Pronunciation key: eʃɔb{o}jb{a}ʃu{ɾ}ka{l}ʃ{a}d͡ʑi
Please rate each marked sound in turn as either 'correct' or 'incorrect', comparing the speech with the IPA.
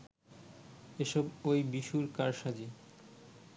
correct, incorrect: i, correct, incorrect: ɾ, correct

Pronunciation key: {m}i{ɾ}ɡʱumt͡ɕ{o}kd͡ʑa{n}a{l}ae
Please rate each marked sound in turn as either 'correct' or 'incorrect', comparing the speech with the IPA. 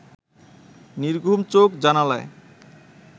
incorrect: n, correct, correct, correct, correct

